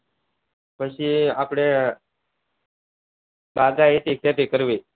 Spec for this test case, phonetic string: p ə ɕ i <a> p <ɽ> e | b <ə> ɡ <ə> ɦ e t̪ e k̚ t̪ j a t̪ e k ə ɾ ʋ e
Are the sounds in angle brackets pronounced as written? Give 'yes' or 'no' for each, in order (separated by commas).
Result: yes, yes, no, no